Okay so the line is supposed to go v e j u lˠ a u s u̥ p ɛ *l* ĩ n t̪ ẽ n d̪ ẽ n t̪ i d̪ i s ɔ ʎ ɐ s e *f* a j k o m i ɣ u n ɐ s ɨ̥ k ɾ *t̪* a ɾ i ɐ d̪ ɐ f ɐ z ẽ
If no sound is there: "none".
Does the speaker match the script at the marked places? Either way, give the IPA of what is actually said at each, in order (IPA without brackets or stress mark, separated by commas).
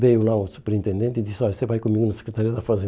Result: ɾ, v, t̪